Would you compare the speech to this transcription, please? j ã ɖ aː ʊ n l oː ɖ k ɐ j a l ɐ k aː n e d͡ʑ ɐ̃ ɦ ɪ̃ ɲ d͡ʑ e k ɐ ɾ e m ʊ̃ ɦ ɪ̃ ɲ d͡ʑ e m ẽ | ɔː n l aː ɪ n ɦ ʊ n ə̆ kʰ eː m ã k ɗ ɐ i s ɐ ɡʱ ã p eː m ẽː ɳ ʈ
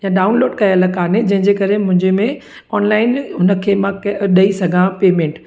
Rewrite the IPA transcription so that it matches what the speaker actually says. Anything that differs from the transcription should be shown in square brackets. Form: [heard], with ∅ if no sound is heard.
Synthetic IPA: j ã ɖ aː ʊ n l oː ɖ k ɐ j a l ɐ k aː n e d͡ʑ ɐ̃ ɦ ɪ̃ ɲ d͡ʑ e k ɐ ɾ e m ʊ̃ ɦ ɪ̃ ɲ d͡ʑ e m ẽ | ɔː n l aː ɪ n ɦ ʊ n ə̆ kʰ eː m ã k ɗ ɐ i s ɐ ɡʱ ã p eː m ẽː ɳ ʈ